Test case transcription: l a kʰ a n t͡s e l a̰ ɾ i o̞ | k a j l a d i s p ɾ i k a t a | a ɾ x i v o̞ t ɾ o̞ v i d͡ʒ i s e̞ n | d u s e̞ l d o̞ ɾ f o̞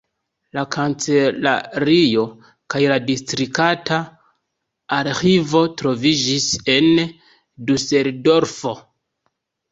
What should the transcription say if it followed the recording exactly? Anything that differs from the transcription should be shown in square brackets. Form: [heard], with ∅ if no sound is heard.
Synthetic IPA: l a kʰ a n t͡s e l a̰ ɾ i o̞ | k a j l a d i s [t] ɾ i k a t a | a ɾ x i v o̞ t ɾ o̞ v i d͡ʒ i s e̞ n | d u s e̞ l d o̞ ɾ f o̞